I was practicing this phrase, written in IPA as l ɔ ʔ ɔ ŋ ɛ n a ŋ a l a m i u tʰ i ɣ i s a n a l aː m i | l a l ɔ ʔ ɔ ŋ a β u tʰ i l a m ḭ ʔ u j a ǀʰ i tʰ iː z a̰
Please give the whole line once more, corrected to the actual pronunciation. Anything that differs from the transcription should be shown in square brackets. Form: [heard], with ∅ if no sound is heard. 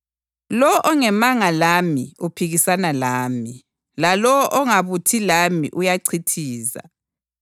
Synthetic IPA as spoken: l ɔ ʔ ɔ ŋ ɛ [m] a ŋ a l a m i u [pʰ] i ɣ i s a n a l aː m i | l a l ɔ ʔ ɔ ŋ a β u tʰ i l a m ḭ ʔ u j a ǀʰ i tʰ iː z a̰